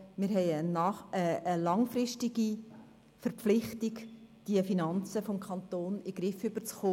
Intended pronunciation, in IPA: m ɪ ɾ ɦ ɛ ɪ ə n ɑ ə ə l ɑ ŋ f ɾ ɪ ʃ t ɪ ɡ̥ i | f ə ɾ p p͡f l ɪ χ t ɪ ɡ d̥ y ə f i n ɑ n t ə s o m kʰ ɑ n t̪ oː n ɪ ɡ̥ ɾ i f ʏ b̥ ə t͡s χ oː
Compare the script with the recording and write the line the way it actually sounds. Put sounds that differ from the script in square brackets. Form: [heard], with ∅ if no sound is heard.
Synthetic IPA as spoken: m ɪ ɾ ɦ ɛ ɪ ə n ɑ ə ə l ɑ ŋ f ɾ ɪ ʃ t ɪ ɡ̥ i | f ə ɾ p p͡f l ɪ χ t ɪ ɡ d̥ [i] ə f i n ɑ n [t͡s] ə [f] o m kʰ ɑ n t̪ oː n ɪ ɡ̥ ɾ [ɪ] f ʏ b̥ ə t͡s χ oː